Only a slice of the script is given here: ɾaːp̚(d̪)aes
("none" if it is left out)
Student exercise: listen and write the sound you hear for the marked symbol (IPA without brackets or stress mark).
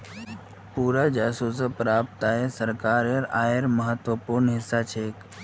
t̪